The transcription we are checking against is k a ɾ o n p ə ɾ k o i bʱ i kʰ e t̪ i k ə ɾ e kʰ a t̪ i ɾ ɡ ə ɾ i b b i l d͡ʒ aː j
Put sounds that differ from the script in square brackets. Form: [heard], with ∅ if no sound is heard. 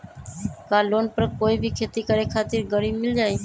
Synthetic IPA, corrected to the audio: k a [l] o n p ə ɾ k o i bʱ i kʰ e t̪ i k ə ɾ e kʰ a t̪ i ɾ ɡ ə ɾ i b [m] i l d͡ʒ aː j